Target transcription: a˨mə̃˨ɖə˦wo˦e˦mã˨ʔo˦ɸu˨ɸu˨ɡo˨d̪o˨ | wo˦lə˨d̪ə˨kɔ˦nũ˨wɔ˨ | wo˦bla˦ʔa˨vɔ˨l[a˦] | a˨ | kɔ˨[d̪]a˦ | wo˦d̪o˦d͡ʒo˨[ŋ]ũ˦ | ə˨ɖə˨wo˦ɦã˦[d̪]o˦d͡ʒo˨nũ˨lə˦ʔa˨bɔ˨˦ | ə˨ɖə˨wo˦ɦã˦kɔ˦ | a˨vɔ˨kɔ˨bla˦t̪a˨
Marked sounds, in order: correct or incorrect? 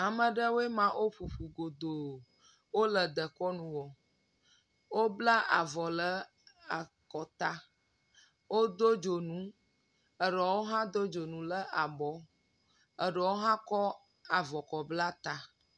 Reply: incorrect, incorrect, incorrect, correct

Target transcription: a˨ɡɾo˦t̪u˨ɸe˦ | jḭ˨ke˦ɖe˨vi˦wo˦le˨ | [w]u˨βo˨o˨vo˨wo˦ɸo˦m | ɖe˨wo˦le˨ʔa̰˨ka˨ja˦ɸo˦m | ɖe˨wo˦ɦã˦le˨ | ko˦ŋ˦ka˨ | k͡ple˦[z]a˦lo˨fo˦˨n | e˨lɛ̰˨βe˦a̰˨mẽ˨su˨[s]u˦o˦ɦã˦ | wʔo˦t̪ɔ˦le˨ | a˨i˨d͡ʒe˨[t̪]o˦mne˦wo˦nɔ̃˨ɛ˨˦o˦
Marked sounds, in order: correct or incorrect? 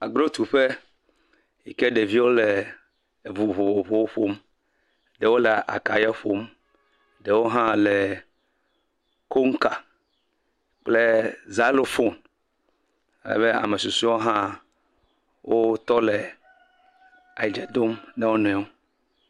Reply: incorrect, correct, correct, incorrect

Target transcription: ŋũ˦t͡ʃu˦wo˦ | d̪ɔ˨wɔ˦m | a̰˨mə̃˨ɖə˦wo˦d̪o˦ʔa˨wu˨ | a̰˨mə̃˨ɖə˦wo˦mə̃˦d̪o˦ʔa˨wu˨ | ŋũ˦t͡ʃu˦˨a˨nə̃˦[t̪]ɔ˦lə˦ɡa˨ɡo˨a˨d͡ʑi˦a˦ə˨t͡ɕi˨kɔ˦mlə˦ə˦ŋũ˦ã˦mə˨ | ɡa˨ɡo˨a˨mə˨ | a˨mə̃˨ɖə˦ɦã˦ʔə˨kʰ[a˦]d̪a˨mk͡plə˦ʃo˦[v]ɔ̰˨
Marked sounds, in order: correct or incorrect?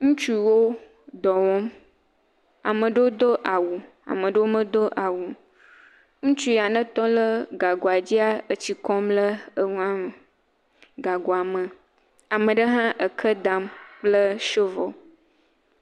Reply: correct, incorrect, correct

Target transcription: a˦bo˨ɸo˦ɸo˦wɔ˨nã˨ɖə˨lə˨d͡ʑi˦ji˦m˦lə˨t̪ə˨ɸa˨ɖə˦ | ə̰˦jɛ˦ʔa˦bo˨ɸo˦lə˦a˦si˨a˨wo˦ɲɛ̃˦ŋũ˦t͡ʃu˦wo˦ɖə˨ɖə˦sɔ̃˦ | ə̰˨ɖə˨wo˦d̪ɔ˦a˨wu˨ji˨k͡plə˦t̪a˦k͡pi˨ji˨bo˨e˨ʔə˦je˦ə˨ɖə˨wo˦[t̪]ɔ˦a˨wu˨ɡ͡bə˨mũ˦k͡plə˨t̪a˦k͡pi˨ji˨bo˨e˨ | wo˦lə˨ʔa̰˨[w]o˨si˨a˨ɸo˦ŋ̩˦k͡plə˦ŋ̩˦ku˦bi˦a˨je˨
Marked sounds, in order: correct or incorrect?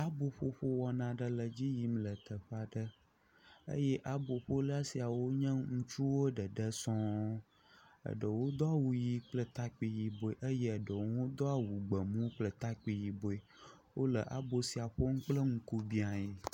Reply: incorrect, incorrect

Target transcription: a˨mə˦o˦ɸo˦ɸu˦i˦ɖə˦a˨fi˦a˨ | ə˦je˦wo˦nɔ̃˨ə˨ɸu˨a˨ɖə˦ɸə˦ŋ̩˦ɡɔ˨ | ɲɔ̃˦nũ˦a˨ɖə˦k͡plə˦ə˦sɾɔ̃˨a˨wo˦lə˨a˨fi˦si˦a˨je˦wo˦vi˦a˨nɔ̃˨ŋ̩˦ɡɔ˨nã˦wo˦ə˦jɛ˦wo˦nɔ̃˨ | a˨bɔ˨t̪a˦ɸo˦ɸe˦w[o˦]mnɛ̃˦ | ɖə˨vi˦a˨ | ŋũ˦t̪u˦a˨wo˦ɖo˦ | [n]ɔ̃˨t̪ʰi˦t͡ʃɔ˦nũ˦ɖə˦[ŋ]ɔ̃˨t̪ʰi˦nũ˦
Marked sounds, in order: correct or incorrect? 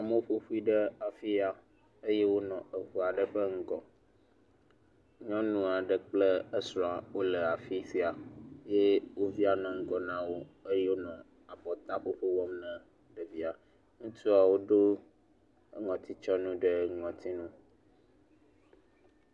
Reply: incorrect, incorrect, correct

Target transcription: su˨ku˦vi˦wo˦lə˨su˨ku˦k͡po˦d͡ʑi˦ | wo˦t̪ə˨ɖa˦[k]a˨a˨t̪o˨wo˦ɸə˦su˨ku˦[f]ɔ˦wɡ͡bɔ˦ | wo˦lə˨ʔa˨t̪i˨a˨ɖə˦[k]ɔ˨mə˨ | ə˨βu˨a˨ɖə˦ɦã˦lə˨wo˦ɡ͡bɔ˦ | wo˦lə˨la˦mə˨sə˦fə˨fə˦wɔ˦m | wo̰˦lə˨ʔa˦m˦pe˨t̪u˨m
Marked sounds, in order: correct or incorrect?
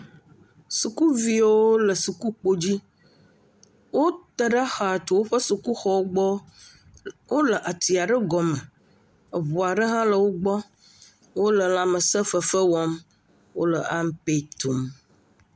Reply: incorrect, incorrect, incorrect

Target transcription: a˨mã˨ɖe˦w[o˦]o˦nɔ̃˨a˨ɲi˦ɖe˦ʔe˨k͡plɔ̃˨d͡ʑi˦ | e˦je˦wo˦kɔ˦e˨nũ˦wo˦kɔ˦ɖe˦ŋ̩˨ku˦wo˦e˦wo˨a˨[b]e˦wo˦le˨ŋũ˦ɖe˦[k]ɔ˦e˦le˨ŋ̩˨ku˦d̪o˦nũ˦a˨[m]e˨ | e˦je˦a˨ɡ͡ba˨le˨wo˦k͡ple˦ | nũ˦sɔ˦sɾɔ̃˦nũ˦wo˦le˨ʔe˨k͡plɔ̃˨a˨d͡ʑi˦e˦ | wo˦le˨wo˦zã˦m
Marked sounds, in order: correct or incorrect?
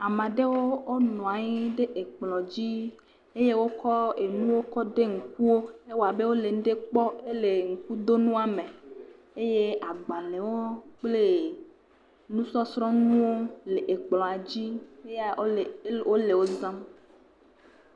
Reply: correct, correct, incorrect, correct

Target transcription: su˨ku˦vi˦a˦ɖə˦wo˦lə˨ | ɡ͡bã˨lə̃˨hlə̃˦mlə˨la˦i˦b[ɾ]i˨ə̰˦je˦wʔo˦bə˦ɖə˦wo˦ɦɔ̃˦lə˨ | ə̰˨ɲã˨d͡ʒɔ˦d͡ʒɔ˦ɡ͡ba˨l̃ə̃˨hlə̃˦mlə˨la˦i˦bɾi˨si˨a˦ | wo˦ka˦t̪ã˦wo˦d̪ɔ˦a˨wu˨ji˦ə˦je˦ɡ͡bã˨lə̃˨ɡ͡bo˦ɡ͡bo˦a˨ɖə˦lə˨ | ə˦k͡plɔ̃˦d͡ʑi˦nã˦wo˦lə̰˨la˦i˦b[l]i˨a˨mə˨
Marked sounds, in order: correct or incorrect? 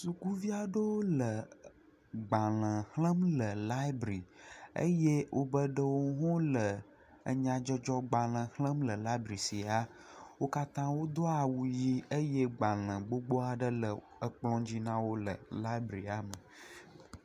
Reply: correct, incorrect

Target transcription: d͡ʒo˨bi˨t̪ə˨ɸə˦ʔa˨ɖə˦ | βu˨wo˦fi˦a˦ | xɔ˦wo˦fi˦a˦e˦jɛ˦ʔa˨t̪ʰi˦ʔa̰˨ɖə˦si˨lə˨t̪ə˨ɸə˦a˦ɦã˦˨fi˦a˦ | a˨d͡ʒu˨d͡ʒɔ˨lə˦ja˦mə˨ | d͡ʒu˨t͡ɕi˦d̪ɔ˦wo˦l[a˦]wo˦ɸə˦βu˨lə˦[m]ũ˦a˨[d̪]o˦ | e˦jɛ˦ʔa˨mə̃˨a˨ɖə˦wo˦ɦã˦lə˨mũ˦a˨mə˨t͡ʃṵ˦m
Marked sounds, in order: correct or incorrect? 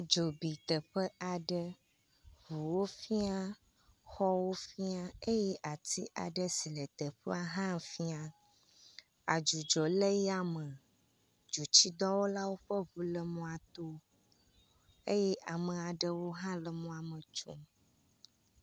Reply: correct, correct, incorrect

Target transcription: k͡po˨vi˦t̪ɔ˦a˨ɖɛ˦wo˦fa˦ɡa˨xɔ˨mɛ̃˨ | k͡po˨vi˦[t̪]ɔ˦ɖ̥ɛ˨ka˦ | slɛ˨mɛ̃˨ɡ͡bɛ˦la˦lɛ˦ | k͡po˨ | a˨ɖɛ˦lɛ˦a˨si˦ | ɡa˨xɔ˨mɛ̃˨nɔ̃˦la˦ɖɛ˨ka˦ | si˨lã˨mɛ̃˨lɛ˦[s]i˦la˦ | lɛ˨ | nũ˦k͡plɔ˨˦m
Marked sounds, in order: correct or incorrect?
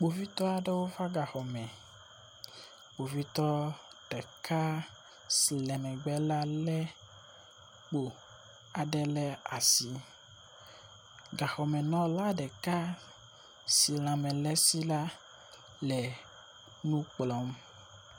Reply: correct, correct

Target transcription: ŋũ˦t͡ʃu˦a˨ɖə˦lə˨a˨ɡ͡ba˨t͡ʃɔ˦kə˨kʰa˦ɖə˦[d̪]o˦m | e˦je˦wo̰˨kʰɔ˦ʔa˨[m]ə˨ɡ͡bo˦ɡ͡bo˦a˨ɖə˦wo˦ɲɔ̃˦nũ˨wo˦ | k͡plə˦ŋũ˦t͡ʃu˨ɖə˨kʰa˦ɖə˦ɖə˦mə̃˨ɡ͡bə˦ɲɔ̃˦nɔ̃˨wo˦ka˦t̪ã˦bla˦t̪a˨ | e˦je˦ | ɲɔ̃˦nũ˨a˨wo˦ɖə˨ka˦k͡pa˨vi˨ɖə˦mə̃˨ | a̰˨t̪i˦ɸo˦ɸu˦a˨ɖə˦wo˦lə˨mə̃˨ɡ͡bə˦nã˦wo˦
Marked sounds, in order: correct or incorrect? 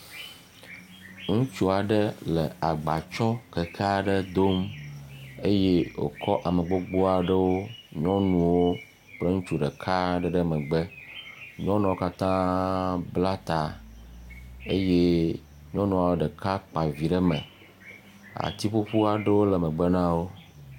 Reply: correct, correct

